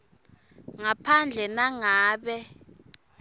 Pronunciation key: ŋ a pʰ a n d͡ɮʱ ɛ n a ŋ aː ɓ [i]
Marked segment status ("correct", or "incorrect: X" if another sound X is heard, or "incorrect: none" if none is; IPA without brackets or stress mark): incorrect: ɛ